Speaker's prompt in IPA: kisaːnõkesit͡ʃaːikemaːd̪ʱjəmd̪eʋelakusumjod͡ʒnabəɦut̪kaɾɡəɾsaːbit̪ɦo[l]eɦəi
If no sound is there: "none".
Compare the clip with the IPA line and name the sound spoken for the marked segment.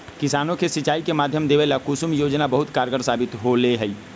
l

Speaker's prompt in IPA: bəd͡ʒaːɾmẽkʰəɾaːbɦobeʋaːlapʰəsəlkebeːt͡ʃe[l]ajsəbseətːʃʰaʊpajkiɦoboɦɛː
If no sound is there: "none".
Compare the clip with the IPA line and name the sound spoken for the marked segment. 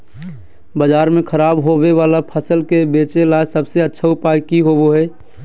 l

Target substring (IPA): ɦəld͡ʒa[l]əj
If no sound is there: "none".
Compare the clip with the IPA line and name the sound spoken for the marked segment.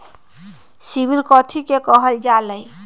l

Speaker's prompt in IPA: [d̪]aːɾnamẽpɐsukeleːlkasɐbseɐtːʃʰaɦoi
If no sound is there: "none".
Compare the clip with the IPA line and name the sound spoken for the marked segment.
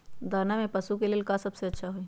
d̪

